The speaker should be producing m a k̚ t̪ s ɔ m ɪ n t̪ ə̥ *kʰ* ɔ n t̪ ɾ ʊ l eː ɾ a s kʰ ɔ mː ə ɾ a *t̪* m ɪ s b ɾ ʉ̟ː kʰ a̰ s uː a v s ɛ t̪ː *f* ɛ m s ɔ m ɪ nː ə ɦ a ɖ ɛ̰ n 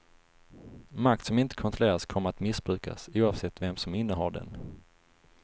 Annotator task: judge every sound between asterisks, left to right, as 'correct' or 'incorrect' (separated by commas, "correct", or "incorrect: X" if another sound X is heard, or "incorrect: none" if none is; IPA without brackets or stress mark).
correct, correct, incorrect: v